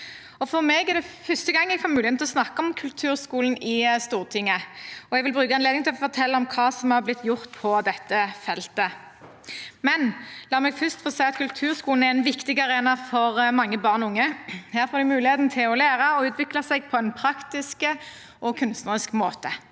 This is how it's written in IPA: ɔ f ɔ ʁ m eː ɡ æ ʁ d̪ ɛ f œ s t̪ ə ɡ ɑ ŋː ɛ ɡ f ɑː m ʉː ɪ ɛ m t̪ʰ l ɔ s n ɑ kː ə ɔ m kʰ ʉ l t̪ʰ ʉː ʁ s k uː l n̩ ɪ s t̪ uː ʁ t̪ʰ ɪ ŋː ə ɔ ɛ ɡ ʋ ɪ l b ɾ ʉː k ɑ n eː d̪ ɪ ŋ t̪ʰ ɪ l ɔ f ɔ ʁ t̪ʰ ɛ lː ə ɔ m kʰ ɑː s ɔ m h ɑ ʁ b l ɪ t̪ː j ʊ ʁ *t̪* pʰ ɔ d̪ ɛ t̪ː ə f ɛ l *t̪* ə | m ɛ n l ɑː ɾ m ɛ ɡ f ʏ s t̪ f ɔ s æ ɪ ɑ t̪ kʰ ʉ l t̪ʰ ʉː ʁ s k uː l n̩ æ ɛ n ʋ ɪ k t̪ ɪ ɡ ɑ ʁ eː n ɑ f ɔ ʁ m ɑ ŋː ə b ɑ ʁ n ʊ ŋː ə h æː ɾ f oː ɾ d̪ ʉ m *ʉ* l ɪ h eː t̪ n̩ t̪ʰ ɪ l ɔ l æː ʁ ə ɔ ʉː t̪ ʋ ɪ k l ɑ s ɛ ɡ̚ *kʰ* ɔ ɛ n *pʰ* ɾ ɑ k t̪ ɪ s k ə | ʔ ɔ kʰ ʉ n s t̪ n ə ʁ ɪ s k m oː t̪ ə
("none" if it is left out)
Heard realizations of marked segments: t̪, t̪, ʉː, pʰ, pʰ

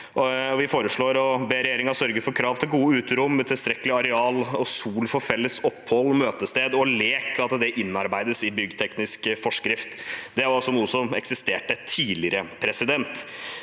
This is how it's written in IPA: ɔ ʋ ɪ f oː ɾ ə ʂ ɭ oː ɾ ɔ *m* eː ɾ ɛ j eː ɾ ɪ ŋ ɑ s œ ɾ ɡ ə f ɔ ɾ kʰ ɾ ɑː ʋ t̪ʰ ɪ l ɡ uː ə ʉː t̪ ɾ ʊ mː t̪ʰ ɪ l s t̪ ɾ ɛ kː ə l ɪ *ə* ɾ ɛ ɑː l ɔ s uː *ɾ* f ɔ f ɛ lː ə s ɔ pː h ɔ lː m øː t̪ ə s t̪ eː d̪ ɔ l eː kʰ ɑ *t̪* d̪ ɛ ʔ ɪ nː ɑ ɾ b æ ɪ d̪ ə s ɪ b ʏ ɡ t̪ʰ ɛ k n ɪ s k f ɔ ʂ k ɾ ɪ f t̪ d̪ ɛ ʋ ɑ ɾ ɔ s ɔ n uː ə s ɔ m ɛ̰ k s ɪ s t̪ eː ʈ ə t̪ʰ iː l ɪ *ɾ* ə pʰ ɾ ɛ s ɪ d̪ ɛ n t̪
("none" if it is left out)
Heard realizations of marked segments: b, ɑ, l, t̪, ɾ

